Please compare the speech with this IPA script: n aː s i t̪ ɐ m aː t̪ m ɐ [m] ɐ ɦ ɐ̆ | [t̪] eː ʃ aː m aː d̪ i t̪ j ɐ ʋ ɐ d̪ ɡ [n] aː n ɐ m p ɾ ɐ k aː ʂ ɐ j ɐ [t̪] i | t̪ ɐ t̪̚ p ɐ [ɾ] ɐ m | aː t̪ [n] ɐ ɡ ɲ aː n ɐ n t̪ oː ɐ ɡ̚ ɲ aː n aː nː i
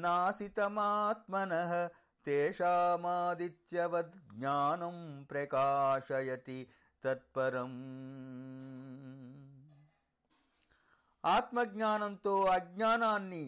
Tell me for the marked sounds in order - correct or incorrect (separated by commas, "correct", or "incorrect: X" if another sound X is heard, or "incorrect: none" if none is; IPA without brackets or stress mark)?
incorrect: n, correct, incorrect: ɲ, correct, correct, incorrect: m